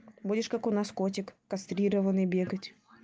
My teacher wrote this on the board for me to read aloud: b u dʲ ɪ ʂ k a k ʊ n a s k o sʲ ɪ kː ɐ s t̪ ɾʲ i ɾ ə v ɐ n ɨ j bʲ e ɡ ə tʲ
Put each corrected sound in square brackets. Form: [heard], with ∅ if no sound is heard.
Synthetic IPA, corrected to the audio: b u dʲ ɪ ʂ k a k ʊ n a s k o [tʲ] ɪ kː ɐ s t̪ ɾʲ i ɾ ə v [ə] n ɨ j bʲ e ɡ ə tʲ